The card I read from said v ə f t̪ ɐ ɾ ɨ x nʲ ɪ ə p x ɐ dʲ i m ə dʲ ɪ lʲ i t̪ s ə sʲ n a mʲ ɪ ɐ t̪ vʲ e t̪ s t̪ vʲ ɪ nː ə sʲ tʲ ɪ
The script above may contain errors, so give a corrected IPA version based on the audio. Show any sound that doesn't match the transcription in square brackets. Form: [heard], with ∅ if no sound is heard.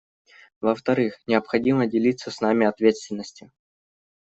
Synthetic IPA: v ə f t̪ ɐ ɾ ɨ x nʲ ɪ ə p x ɐ dʲ i m ə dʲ ɪ lʲ i t̪ s ə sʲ n a mʲ ɪ ɐ t̪ vʲ e t̪ s t̪ vʲ ɪ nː ə sʲ tʲ ɪ